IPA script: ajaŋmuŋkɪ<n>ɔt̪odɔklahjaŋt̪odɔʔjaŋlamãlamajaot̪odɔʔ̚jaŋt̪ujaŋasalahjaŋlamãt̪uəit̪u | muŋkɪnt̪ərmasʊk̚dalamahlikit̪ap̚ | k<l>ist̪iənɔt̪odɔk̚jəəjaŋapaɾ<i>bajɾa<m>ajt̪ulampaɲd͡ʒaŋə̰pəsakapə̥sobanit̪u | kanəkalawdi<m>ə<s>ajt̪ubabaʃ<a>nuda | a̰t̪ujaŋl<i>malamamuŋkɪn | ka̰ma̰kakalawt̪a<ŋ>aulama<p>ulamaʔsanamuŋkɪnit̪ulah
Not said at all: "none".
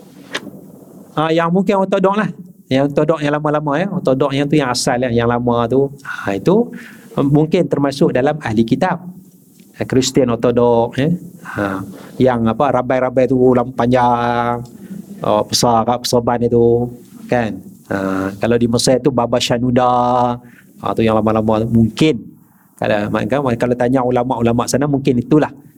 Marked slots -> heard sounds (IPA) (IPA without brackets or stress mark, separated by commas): n, ɾ, a, b, m, s, a, a, ɲ, ʔ